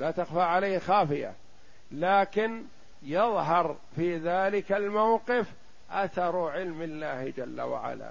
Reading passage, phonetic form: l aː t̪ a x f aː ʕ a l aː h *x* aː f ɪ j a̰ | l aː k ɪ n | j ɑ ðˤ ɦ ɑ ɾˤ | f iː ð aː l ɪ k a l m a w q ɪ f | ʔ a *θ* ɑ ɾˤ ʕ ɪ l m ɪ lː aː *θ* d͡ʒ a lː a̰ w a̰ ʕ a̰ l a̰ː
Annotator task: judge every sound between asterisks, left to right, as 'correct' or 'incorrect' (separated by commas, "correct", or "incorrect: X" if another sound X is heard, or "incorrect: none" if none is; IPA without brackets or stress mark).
correct, correct, incorrect: h